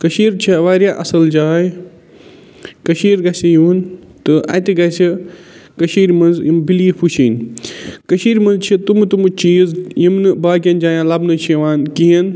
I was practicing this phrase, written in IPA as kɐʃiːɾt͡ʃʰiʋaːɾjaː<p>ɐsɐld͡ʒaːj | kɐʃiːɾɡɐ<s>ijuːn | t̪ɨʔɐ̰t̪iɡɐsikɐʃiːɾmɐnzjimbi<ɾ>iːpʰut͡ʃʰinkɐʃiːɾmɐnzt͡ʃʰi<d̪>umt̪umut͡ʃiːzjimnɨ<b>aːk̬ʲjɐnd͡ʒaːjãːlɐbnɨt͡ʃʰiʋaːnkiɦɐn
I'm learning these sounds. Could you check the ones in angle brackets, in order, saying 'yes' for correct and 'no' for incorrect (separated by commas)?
no, yes, no, no, yes